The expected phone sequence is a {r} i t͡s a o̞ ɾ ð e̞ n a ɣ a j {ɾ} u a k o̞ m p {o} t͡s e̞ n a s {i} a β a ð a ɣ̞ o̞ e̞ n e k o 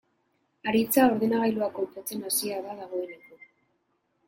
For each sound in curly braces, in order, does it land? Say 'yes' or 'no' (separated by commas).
no, no, yes, yes